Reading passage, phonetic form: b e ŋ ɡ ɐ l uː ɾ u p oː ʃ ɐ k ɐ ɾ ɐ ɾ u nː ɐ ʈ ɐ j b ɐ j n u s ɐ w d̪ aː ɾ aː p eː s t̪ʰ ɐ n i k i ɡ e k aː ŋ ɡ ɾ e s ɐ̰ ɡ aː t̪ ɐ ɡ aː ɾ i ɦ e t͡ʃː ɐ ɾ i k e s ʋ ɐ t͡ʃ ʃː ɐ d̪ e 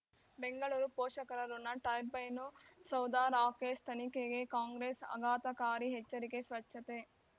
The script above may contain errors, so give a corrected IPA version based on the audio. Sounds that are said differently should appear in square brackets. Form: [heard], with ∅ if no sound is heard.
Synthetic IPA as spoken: b e ŋ ɡ ɐ [ɭ] uː ɾ u p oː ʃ ɐ k ɐ ɾ ɐ ɾ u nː ɐ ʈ ɐ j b ɐ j n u s ɐ w d̪ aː ɾ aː [k] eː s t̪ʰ ɐ n i k [e] ɡ e k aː ŋ ɡ ɾ e s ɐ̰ ɡ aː t̪ ɐ [k] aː ɾ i ɦ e t͡ʃː ɐ ɾ i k e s ʋ ɐ t͡ʃ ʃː ɐ [t̪] e

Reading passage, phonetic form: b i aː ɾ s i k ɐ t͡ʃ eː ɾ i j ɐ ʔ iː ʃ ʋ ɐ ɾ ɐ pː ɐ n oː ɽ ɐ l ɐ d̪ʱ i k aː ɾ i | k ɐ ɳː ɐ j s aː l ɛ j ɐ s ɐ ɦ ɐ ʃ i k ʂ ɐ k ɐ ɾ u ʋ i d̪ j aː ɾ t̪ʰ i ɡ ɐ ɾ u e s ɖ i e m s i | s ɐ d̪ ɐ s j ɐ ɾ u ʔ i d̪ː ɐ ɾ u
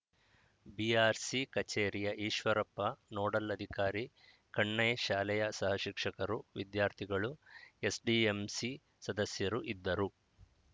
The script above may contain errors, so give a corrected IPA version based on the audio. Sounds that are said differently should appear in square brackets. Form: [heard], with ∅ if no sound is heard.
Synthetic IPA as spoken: b i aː ɾ s i k ɐ t͡ʃ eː ɾ i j ɐ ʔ iː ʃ ʋ ɐ ɾ ɐ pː ɐ n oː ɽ ɐ l ɐ d̪ʱ i k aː ɾ i | k ɐ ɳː ɐ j [ʃ] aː l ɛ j ɐ s ɐ ɦ ɐ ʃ i k ʂ ɐ k ɐ ɾ u ʋ i d̪ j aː ɾ t̪ʰ i ɡ ɐ [ɭ] u e s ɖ i e m s i | s ɐ d̪ ɐ s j ɐ ɾ u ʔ i d̪ː ɐ ɾ u

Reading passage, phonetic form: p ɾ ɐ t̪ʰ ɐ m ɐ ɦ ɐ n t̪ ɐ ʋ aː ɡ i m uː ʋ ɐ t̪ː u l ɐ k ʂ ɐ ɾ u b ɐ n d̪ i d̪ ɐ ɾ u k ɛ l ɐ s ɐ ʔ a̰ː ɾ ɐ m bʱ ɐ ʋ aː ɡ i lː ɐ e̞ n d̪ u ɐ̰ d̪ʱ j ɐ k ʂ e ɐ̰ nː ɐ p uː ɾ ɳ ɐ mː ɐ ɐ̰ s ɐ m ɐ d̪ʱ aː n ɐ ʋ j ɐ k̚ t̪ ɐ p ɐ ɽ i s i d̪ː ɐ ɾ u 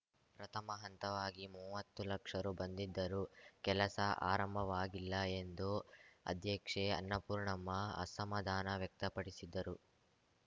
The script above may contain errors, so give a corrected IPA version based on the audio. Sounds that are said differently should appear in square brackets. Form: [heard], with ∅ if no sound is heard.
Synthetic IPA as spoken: p ɾ ɐ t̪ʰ ɐ m ɐ ɦ ɐ n t̪ ɐ ʋ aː ɡ i m uː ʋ ɐ t̪ː u l ɐ k ʂ ɐ ɾ u b ɐ n d̪ i [d̪ː] ɐ ɾ u k ɛ l ɐ s ɐ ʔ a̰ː ɾ ɐ m bʱ ɐ ʋ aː ɡ i lː ɐ e̞ n d̪ u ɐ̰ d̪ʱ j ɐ k ʂ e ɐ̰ nː ɐ p uː ɾ ɳ ɐ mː ɐ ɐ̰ s ɐ m ɐ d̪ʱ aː n ɐ ʋ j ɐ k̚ t̪ ɐ p ɐ ɽ i s i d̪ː ɐ ɾ u

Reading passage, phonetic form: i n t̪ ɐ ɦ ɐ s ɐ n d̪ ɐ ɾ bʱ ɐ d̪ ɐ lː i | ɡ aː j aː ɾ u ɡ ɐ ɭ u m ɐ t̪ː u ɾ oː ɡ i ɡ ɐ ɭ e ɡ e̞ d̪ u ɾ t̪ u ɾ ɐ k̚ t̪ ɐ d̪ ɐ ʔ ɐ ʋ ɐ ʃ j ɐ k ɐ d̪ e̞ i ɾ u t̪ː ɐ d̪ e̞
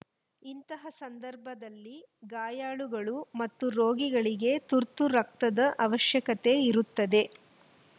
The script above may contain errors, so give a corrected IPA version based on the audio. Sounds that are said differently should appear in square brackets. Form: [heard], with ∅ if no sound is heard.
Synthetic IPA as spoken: i n t̪ ɐ ɦ ɐ s ɐ n d̪ ɐ ɾ bʱ ɐ d̪ ɐ lː i | ɡ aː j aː [ɭ] u ɡ ɐ ɭ u m ɐ t̪ː u ɾ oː ɡ i ɡ ɐ ɭ [i] ɡ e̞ [t̪] u ɾ t̪ u ɾ ɐ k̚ t̪ ɐ d̪ ɐ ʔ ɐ ʋ ɐ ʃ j ɐ k ɐ [t̪] e̞ i ɾ u t̪ː ɐ d̪ e̞

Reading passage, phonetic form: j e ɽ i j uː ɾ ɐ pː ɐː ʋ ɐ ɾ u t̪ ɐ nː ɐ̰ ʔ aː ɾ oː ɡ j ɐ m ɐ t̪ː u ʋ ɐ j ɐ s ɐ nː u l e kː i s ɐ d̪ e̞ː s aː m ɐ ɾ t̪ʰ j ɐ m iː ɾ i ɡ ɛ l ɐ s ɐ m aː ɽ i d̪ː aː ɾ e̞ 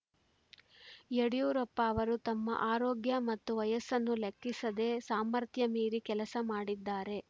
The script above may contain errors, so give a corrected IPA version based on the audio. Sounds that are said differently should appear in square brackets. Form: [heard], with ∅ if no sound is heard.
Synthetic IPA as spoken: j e ɽ i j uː ɾ ɐ pː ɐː ʋ ɐ ɾ u t̪ ɐ [mː] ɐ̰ ʔ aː ɾ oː ɡ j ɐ m ɐ t̪ː u ʋ ɐ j ɐ s ɐ nː u l e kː i s ɐ d̪ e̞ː s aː m ɐ ɾ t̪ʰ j ɐ m iː ɾ i [k] ɛ l ɐ s ɐ m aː ɽ i d̪ː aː ɾ e̞

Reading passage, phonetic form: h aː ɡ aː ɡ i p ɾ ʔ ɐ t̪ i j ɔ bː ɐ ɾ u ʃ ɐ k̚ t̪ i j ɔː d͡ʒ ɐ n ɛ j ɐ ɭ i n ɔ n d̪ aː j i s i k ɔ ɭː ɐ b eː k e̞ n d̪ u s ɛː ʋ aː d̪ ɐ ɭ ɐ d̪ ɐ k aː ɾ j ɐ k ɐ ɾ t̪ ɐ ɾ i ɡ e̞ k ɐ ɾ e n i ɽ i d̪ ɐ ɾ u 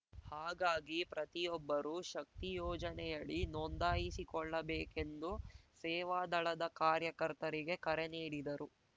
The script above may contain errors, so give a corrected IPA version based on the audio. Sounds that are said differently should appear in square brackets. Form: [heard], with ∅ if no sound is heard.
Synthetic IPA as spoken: h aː ɡ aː ɡ i p ɾ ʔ ɐ t̪ i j ɔ bː ɐ ɾ u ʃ ɐ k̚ t̪ i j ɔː d͡ʒ ɐ n ɛ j ɐ ɭ i n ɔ n d̪ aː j i s i k ɔ ɭː ɐ b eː k e̞ n d̪ u s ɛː ʋ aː d̪ ɐ ɭ ɐ d̪ ɐ k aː ɾ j ɐ k ɐ ɾ t̪ ɐ ɾ i ɡ e̞ k ɐ ɾ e n [iː] ɽ i d̪ ɐ ɾ u

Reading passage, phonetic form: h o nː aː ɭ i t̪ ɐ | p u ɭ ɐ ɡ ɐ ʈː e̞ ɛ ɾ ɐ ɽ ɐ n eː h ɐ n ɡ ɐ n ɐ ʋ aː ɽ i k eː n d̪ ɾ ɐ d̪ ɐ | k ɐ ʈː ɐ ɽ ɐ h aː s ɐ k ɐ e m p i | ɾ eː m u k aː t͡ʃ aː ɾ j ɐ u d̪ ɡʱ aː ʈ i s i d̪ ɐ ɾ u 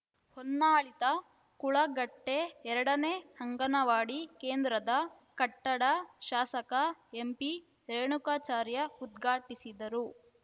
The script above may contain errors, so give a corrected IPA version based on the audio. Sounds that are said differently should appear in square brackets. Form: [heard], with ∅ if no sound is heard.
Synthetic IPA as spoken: h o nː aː ɭ i t̪ ɐ | [k] u ɭ ɐ ɡ ɐ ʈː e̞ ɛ ɾ ɐ ɽ ɐ n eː h ɐ [ŋ] ɡ ɐ n ɐ ʋ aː ɽ i k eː n d̪ ɾ ɐ d̪ ɐ | k ɐ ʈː ɐ ɽ ɐ [ʃ] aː s ɐ k ɐ e m p i | ɾ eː [ɳ] u k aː t͡ʃ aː ɾ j ɐ u d̪ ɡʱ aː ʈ i s i d̪ ɐ ɾ u

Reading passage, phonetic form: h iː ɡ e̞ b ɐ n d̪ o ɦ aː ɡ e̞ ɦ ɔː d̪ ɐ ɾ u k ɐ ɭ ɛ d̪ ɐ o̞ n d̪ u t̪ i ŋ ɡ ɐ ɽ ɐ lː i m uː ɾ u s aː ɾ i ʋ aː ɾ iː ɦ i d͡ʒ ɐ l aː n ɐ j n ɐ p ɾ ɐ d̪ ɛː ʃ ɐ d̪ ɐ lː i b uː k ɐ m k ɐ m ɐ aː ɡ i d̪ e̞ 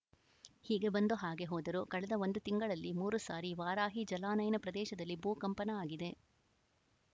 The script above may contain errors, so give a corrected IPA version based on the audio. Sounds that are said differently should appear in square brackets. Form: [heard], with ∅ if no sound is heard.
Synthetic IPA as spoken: h iː ɡ e̞ b ɐ n d̪ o ɦ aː ɡ e̞ ɦ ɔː d̪ ɐ ɾ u k ɐ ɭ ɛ d̪ ɐ o̞ n d̪ u t̪ i ŋ ɡ ɐ [ɭ] ɐ lː i m uː ɾ u s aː ɾ i ʋ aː ɾ [aː] ɦ i d͡ʒ ɐ l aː n ɐ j n ɐ p ɾ ɐ d̪ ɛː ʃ ɐ d̪ ɐ lː i b uː k ɐ m [p] ɐ [n] ɐ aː ɡ i d̪ e̞

